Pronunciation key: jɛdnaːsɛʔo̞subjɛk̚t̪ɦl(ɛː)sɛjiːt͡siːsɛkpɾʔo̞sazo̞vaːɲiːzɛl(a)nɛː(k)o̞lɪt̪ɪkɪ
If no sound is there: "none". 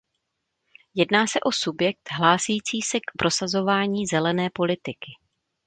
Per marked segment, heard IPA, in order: aː, ɛ, p

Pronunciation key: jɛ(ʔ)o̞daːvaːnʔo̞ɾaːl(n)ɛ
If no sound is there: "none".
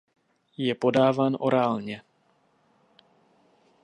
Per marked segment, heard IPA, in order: p, ɲ

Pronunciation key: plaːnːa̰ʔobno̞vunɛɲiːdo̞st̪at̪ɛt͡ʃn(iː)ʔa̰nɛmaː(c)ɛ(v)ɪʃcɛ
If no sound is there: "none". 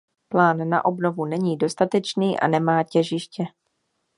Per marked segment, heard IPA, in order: iː, c, ʒ

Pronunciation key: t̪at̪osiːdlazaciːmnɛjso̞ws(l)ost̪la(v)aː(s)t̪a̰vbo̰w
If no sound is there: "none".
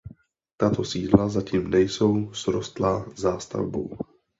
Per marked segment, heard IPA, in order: ɾ, z, s

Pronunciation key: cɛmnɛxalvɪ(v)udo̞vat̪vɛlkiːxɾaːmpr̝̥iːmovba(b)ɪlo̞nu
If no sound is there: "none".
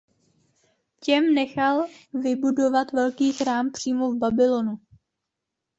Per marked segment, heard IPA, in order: b, b

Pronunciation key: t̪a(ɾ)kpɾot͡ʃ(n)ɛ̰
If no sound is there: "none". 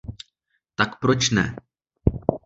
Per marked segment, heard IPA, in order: none, n

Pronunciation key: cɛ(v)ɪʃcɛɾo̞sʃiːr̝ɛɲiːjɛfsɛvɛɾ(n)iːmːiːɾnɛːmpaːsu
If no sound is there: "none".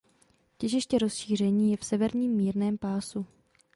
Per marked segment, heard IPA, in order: ʒ, ɲ

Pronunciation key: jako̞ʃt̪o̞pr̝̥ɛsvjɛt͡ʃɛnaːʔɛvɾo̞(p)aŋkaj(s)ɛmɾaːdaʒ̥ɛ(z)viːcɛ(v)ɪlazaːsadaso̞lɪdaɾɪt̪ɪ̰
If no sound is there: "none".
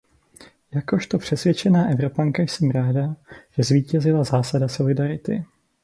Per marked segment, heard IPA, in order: p, s, z, z

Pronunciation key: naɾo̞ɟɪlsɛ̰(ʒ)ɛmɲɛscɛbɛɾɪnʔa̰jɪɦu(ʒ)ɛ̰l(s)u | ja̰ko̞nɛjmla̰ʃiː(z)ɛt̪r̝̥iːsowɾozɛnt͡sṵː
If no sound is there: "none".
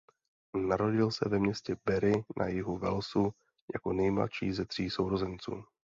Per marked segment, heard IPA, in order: v, v, s, z

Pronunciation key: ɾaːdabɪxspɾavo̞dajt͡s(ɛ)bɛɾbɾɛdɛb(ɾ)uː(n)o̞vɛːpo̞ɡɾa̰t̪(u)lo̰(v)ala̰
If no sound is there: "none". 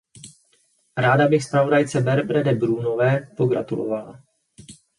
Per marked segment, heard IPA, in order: ɛ, ɾ, n, u, v

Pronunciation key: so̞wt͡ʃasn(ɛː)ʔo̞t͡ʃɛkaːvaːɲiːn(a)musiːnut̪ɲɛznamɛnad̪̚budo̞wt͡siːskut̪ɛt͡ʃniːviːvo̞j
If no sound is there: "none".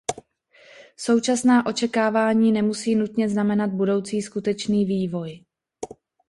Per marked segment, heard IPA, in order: aː, ɛ

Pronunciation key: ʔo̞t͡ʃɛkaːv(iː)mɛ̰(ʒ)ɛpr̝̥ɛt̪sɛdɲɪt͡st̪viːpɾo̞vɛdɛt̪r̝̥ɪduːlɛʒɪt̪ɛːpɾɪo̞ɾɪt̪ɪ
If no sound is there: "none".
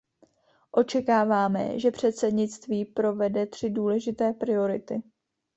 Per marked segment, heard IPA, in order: aː, ʒ

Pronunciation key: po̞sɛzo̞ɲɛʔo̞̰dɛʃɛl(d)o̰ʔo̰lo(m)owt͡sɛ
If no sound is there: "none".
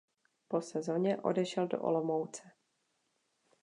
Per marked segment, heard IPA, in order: d, m

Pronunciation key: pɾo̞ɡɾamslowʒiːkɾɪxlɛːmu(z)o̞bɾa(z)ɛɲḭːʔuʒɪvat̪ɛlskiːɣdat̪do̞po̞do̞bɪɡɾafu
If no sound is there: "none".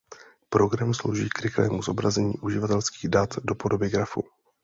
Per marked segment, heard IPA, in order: z, z

